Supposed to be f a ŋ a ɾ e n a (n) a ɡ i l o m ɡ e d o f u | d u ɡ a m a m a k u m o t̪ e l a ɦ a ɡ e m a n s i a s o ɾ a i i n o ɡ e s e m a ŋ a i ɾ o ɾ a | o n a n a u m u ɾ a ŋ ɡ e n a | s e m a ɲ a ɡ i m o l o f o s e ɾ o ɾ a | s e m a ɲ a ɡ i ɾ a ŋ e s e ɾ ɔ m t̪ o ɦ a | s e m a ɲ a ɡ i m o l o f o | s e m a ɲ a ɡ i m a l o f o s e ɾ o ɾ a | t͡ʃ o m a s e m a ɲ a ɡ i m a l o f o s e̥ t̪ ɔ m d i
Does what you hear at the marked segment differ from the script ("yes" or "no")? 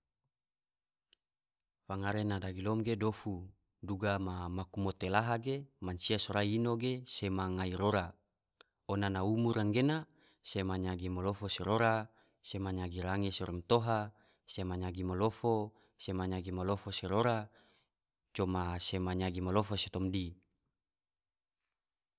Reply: yes